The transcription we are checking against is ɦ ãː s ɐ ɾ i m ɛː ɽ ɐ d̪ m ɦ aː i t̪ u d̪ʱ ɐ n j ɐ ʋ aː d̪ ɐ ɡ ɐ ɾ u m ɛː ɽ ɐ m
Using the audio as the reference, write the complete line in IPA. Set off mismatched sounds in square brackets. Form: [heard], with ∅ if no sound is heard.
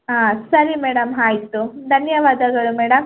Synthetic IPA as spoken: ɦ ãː s ɐ ɾ i m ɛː ɽ ɐ [∅] m ɦ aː [j] t̪ u d̪ʱ ɐ n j ɐ ʋ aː d̪ ɐ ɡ ɐ [ɭ] u m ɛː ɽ ɐ m